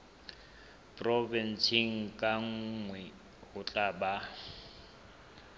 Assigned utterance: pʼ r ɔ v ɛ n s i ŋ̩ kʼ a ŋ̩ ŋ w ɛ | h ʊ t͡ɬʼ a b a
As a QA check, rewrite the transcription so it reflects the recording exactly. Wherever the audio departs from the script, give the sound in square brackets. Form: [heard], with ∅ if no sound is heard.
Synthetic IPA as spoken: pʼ r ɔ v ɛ n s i ŋ̩ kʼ a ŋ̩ ŋ w ɛ | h ʊ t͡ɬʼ a b a